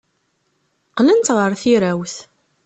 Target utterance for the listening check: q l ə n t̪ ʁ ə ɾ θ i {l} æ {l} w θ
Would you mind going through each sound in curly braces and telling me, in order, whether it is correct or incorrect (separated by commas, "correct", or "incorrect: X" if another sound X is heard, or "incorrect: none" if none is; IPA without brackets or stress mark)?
incorrect: ɾ, incorrect: none